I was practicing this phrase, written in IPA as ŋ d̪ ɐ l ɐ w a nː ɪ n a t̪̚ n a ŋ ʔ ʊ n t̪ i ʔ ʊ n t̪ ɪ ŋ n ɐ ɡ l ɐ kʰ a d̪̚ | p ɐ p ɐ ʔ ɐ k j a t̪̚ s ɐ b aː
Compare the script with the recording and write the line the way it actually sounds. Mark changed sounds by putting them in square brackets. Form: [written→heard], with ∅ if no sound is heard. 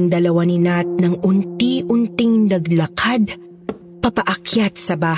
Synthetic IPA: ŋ d̪ ɐ l ɐ w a [nː→n] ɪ n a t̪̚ n [a→ɐ] ŋ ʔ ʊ n t̪ i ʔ ʊ n t̪ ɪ ŋ n ɐ ɡ l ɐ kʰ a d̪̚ | p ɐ p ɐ ʔ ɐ k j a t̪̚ s ɐ b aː